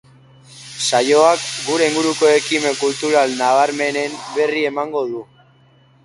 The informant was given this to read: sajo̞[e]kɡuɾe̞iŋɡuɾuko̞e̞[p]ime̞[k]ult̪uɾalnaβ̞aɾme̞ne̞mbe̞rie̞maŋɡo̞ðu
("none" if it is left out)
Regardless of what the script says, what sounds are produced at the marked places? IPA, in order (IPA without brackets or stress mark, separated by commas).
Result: a, k, k